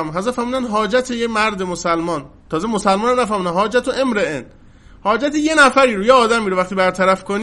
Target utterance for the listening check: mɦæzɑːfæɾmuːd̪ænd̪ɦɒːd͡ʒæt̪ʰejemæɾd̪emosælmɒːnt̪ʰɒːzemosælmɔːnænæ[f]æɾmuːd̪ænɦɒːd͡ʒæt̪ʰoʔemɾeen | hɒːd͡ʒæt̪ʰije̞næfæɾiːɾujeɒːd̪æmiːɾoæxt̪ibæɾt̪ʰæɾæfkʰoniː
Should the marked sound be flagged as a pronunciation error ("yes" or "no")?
no